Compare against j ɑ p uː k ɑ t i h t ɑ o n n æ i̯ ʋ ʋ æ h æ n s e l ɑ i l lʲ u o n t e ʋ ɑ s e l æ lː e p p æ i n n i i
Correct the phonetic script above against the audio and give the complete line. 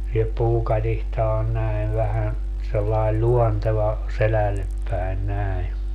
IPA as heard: j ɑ p uː k ɑ t i h t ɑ o n n æ i̯ ʋ ʋ æ h æ n s e lː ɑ i l lʲ u o n t e ʋ ɑ s e l æ lː e p p æ i n n æ i